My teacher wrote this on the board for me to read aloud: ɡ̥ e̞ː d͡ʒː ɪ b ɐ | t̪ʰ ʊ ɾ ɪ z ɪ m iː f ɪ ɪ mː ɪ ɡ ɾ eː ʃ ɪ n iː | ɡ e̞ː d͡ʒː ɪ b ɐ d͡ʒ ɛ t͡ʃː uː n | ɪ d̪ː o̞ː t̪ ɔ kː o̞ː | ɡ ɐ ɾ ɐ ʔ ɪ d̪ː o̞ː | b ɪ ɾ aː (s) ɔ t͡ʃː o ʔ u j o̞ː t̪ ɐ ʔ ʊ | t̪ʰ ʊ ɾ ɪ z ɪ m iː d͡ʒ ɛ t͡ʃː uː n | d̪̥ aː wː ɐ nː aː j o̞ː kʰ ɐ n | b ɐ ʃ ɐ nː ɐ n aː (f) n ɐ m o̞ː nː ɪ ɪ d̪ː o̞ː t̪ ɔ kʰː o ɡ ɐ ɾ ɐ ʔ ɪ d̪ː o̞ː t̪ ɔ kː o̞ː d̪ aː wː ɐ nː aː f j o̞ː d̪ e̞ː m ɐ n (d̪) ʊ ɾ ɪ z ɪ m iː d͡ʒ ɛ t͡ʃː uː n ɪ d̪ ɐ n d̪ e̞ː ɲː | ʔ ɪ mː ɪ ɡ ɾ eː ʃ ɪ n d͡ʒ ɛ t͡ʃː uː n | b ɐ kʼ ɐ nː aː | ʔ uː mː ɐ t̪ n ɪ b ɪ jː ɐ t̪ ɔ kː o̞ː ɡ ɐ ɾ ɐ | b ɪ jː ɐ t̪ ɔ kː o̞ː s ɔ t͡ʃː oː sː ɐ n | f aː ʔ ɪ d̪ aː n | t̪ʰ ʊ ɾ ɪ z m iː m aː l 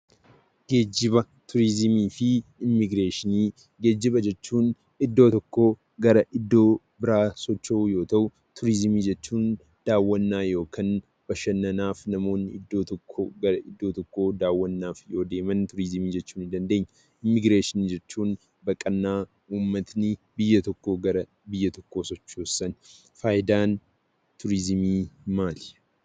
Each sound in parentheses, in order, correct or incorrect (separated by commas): correct, correct, incorrect